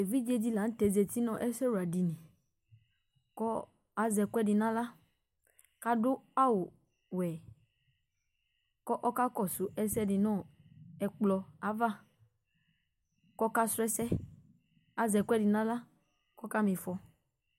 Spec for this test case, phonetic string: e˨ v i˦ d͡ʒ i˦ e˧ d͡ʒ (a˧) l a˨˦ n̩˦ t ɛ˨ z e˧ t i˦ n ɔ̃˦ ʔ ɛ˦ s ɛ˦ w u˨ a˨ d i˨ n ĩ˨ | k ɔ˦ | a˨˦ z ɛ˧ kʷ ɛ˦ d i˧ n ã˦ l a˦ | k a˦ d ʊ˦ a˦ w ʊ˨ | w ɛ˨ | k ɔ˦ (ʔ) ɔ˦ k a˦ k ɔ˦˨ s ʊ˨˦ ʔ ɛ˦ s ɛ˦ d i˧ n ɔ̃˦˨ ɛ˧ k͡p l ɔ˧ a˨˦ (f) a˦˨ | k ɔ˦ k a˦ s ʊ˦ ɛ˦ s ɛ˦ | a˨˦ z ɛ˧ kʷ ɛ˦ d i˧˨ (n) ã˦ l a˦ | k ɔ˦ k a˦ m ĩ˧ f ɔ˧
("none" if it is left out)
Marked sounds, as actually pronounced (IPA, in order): i˧, ʔ, v, n

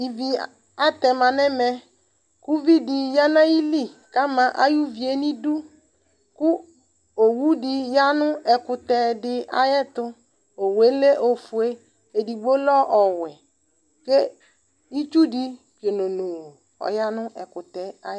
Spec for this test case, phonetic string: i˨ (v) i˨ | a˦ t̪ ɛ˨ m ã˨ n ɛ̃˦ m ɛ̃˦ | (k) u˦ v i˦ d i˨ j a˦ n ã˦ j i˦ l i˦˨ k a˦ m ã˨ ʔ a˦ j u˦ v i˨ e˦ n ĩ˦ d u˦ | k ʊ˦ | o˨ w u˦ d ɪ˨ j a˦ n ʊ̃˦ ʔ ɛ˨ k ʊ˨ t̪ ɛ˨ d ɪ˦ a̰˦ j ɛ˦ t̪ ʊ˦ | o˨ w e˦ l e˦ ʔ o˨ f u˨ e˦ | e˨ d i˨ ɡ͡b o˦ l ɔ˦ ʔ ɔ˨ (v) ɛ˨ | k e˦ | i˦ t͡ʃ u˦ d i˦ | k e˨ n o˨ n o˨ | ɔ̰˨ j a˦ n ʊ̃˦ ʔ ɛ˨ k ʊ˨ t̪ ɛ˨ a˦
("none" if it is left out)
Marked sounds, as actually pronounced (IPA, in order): v, k, w

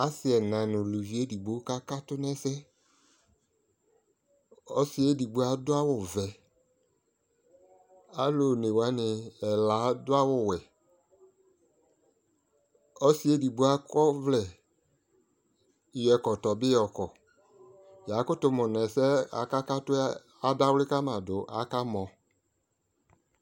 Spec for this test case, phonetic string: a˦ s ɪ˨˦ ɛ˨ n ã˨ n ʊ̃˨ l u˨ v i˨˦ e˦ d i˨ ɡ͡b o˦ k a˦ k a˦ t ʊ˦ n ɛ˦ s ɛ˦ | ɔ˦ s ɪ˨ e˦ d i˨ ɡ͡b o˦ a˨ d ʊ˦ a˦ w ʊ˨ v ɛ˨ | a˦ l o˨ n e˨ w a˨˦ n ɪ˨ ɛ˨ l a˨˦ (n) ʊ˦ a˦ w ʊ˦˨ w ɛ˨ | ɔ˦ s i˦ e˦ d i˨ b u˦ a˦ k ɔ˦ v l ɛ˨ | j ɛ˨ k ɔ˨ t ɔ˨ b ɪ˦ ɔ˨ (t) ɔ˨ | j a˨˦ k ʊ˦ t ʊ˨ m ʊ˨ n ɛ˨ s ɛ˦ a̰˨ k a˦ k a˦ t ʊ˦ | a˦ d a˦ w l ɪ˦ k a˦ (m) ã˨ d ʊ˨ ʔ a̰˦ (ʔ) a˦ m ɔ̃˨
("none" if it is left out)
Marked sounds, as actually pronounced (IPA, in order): d, k, m, k

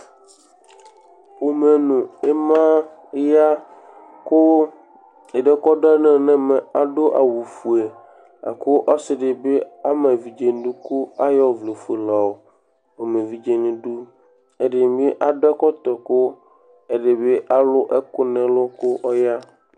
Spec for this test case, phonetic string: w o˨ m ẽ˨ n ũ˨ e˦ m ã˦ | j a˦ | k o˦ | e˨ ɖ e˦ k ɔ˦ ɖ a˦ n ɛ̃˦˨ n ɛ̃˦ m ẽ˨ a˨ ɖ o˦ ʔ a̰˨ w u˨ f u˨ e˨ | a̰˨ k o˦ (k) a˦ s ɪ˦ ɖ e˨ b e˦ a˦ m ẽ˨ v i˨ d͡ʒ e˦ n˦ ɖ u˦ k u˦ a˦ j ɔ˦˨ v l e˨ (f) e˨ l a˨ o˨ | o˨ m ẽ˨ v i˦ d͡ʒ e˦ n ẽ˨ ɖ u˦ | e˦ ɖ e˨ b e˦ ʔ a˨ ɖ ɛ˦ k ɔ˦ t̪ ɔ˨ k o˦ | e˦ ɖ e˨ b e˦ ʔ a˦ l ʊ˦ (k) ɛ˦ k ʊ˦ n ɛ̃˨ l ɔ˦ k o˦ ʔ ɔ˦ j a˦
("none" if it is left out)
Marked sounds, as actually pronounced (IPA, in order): ʔ, f, ʔ

